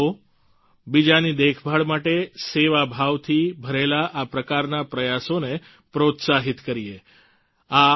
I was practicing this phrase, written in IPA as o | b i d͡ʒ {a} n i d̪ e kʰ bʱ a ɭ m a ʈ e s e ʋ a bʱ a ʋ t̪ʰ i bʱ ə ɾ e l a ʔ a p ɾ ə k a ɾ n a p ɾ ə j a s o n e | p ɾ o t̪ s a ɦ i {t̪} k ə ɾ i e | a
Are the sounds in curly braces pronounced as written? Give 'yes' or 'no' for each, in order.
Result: yes, yes

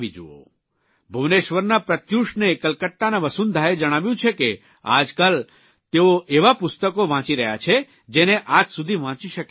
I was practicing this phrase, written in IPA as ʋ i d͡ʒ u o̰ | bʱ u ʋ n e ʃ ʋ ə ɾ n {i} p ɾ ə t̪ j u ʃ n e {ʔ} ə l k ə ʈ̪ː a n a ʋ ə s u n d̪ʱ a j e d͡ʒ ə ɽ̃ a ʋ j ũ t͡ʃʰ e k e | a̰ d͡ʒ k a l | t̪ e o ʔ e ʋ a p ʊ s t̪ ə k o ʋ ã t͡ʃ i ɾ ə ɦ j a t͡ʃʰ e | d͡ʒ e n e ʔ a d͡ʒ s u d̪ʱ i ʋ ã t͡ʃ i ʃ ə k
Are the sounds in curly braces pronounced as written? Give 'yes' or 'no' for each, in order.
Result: no, no

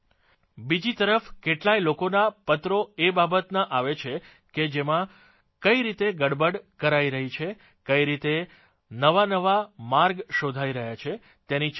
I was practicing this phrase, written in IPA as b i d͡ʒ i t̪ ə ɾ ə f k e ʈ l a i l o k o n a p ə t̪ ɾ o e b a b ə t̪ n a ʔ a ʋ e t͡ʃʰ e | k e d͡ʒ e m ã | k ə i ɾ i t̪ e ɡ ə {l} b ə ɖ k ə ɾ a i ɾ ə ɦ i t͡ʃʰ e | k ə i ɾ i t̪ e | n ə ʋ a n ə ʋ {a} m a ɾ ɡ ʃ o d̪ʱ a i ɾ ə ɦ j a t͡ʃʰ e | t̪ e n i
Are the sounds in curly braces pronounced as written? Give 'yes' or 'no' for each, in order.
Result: no, yes

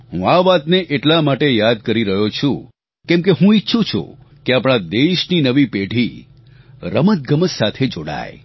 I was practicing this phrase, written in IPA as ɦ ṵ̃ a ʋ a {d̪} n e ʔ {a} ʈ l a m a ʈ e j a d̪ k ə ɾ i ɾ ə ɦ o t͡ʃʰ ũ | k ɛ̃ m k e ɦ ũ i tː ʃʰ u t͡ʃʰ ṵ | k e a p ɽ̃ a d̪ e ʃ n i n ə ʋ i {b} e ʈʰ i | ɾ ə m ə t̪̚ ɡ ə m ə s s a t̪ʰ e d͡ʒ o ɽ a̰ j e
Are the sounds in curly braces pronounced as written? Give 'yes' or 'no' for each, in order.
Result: no, no, no

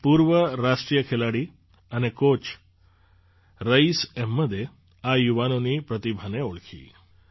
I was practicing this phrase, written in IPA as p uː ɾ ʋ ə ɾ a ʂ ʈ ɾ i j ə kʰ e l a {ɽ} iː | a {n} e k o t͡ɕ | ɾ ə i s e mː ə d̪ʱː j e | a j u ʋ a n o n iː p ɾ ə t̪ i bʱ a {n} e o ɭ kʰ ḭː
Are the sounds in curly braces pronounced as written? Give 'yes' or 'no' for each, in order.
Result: yes, yes, yes

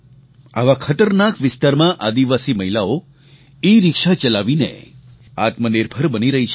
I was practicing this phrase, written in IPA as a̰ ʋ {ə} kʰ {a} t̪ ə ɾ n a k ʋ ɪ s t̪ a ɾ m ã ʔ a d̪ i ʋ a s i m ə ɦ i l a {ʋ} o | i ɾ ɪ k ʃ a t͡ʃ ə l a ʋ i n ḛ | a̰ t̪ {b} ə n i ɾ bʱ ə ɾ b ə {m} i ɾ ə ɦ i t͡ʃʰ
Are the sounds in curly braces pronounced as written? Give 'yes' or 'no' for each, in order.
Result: no, no, no, no, no

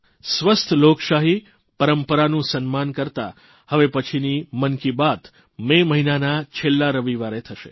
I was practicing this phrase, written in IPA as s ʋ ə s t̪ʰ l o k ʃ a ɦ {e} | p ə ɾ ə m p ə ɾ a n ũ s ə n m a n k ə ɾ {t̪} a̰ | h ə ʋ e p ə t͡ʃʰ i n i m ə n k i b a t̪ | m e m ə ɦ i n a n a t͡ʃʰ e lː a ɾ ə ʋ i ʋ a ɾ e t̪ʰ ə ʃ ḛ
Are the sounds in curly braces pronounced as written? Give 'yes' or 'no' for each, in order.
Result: no, yes

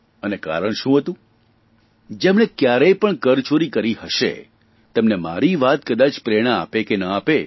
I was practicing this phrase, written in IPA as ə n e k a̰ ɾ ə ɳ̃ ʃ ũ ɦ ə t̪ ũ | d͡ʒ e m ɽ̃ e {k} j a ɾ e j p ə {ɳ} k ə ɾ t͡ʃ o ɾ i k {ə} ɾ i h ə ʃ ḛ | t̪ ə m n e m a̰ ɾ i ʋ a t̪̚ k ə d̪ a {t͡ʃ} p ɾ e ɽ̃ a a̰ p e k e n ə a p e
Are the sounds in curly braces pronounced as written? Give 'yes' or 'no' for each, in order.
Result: yes, yes, yes, yes

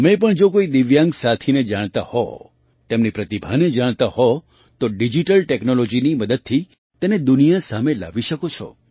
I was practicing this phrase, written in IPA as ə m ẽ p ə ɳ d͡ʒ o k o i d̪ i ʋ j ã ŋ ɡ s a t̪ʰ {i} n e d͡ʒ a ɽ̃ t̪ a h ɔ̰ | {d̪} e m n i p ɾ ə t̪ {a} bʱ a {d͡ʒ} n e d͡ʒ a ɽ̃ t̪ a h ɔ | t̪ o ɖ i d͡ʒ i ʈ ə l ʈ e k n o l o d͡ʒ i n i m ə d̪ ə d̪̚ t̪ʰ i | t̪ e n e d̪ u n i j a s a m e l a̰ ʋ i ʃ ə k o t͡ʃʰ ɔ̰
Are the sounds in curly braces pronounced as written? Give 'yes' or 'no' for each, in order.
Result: yes, no, no, no

